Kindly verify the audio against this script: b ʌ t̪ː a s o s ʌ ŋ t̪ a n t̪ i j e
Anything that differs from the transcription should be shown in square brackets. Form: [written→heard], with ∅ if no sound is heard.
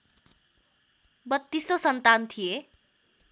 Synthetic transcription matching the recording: b ʌ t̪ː [a→i] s o s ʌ [ŋ→n] t̪ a n [t̪→t̪ʰ] i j e